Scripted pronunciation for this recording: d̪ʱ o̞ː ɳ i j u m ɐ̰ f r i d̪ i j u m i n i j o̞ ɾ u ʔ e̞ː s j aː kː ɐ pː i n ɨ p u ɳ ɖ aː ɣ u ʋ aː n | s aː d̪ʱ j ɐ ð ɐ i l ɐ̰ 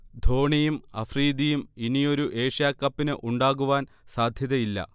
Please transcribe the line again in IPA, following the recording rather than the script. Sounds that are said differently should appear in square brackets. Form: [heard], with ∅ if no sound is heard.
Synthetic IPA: d̪ʱ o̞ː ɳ i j u m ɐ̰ f r [iː] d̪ i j u m i n i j o̞ ɾ u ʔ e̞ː [ʂ] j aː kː ɐ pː i n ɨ [ʔ] u ɳ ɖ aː ɣ u ʋ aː n | s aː d̪ʱ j ɐ ð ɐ i [lː] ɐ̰